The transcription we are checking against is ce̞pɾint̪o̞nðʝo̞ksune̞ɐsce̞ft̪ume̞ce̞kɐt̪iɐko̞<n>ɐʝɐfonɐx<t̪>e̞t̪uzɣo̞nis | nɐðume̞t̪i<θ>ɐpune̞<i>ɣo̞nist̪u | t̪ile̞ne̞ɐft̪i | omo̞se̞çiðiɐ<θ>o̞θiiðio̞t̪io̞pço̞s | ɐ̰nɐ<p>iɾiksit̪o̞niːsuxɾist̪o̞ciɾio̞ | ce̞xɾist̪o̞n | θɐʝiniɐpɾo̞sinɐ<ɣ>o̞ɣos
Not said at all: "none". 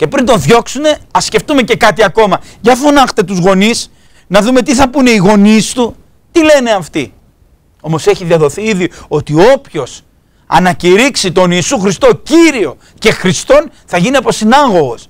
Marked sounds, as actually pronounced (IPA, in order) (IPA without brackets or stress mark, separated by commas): m, t̪, θ, i, ð, c, ɣ